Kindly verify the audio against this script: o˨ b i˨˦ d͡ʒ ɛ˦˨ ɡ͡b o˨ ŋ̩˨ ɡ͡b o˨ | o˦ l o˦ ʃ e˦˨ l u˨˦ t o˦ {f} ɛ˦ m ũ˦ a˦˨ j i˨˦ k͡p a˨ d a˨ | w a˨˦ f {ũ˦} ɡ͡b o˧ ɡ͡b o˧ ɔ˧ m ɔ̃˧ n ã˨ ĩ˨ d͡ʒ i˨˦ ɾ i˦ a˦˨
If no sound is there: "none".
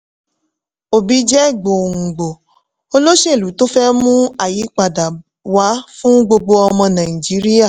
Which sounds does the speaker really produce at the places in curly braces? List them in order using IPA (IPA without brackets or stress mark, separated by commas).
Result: f, ũ˦